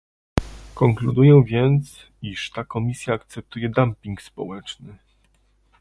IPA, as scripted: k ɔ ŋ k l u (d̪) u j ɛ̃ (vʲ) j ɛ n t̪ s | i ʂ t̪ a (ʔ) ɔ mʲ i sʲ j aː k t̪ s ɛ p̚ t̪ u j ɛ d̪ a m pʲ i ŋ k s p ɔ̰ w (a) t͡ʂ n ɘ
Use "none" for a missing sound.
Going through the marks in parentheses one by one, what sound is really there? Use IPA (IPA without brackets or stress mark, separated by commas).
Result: d̪, vʲ, k, ɛ